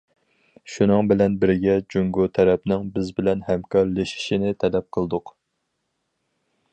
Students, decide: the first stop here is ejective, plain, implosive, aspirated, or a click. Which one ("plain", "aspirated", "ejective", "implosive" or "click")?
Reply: plain